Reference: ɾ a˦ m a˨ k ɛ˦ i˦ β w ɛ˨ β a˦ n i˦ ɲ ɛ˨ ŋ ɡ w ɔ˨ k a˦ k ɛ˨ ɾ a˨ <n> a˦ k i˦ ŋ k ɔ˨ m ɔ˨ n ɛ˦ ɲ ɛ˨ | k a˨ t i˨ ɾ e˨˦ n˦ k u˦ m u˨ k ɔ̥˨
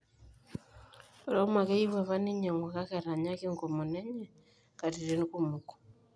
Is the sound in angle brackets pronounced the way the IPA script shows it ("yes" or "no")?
no